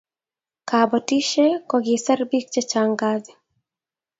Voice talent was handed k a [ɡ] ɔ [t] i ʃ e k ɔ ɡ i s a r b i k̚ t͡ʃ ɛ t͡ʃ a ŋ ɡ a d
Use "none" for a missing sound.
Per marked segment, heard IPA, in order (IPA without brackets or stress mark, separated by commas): b, t